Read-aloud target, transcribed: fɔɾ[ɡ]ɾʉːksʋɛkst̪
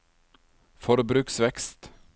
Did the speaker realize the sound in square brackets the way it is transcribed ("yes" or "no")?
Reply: no